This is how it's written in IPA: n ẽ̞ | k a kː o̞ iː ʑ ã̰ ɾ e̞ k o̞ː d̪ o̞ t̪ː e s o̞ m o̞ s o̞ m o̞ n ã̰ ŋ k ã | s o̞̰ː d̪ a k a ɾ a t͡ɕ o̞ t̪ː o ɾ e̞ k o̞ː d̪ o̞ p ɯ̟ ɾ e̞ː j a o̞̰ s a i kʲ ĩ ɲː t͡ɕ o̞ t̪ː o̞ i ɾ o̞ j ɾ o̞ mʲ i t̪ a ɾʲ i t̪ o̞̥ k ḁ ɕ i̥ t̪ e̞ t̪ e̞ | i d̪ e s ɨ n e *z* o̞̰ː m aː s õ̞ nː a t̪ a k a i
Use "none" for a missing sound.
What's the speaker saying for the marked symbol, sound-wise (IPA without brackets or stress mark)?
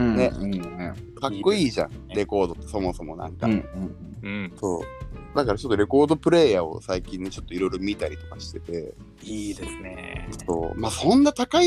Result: s